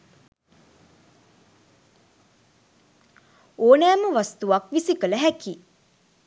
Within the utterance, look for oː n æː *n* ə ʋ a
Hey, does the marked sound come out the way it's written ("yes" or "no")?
no